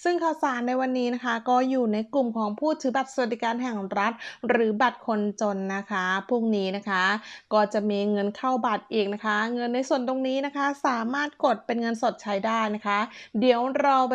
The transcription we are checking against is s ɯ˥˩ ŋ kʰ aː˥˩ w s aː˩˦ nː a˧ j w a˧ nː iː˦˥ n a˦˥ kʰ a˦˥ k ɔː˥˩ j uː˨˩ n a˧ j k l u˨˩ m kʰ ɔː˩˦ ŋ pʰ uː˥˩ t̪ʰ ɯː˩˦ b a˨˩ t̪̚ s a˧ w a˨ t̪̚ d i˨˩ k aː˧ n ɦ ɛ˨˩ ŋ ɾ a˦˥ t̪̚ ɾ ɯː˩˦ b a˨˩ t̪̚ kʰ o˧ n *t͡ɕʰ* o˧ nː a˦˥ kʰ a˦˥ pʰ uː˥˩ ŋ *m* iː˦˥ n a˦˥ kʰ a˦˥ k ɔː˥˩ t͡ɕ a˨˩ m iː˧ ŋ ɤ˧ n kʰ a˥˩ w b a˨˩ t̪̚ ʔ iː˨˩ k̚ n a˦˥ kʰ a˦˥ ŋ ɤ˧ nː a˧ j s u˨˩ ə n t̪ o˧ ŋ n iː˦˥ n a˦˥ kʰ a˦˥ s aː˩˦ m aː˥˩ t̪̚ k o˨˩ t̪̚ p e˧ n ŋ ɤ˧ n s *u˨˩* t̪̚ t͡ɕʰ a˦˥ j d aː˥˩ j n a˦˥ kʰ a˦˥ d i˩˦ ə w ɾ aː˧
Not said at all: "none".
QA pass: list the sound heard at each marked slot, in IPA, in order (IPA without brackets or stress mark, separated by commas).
t͡ɕ, n, o˨˩